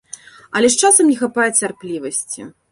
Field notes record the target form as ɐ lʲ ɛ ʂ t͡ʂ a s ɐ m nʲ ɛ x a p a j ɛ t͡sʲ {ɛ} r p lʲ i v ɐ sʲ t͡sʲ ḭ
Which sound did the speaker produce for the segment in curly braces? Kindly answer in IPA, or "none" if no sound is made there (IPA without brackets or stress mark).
a